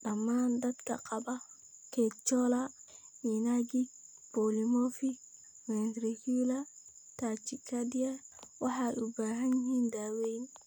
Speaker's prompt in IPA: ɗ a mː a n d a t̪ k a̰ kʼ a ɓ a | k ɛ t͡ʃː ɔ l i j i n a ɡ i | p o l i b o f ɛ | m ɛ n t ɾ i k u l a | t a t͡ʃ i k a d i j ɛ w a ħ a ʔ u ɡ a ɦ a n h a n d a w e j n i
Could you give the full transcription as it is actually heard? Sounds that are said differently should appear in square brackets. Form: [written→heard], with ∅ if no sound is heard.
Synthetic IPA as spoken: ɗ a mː a n d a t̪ k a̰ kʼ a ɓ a | k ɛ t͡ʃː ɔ l [i→a] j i n a ɡ i | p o l i [b→m] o f [ɛ→i] | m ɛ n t ɾ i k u l a | t a t͡ʃ i k a d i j [ɛ→a] w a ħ a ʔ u [ɡ→b] a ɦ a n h [a→i] n d a w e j n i